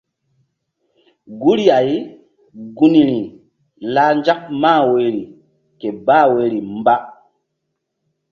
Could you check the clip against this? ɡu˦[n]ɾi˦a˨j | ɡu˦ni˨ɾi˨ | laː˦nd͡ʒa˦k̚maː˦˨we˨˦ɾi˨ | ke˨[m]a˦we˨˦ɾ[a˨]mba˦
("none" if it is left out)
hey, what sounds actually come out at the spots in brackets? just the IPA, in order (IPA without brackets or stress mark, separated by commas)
none, b, i˨